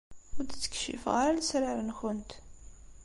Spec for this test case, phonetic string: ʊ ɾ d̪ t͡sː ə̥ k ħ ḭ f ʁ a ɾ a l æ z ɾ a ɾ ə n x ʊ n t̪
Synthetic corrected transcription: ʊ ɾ d̪ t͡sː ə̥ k ʃ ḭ f ʁ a ɾ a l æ s ɾ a ɾ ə n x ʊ n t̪